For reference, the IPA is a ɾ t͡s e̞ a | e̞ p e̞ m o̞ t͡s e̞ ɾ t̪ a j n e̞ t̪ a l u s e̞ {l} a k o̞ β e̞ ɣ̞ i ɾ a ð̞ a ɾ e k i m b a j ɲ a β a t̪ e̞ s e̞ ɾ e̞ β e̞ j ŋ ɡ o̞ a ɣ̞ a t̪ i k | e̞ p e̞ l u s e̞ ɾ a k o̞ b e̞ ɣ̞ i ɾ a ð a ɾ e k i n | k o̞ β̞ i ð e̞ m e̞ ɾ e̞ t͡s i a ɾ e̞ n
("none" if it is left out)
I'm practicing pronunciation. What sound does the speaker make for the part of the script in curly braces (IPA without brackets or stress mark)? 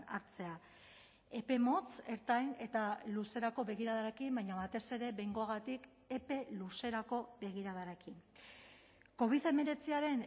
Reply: ɾ